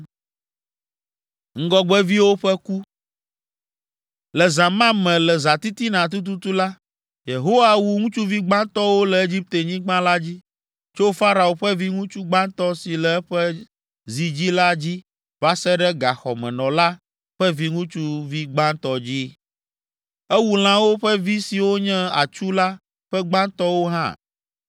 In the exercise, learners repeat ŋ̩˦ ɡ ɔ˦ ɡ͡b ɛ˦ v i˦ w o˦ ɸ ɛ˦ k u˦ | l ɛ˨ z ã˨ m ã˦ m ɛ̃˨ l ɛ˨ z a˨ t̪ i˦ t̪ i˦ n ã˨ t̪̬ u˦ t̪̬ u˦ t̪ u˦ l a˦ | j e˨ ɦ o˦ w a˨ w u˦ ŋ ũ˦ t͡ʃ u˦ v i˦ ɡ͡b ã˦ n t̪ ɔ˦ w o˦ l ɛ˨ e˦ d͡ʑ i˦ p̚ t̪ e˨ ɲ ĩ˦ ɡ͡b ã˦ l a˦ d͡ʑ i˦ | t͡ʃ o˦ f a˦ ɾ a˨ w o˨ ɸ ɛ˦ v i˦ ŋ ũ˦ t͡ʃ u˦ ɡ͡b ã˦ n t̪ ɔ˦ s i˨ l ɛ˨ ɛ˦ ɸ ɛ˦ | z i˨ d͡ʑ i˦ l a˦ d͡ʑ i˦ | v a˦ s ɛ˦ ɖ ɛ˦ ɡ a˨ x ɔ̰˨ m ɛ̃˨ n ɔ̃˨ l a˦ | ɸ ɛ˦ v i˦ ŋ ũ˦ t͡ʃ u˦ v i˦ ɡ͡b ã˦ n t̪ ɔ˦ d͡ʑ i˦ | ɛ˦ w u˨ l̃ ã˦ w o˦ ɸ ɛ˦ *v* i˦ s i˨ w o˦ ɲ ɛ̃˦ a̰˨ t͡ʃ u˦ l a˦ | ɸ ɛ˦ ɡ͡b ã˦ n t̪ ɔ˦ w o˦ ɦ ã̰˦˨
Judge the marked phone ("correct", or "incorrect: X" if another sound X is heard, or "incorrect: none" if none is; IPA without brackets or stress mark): correct